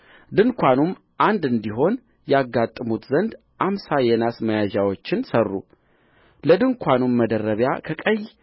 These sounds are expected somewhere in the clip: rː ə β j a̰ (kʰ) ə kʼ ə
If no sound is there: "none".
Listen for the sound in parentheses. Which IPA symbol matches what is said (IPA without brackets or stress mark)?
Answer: kʰ